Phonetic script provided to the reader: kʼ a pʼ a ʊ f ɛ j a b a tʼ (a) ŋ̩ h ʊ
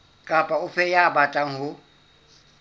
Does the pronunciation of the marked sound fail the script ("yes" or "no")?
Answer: no